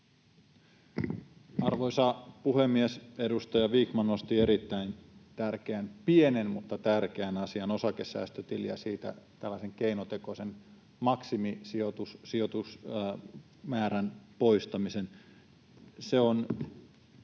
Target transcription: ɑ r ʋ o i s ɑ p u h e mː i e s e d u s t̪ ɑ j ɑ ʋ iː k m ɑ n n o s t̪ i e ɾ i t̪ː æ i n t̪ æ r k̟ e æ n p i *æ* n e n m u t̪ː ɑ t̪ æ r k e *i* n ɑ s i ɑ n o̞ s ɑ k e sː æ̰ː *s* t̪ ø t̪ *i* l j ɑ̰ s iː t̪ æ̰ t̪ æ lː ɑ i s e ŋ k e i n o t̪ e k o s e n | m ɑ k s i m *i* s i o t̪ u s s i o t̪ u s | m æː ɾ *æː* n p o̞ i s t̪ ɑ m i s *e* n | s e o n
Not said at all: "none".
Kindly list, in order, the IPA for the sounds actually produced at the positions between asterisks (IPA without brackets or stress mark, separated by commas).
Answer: e, æ, s, i, i, æ, e